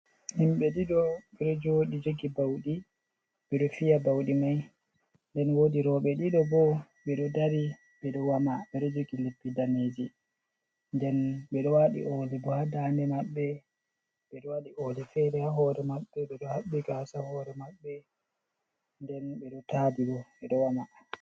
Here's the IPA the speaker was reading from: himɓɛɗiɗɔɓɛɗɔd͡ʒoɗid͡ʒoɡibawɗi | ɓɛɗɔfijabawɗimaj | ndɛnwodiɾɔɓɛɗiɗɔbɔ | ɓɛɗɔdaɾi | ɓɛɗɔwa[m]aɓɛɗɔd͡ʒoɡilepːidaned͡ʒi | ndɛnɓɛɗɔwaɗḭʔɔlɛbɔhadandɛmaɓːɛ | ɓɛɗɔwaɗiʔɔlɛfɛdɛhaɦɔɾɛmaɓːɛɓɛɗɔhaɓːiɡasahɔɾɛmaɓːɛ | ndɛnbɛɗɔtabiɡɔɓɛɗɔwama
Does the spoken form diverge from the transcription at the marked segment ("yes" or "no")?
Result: no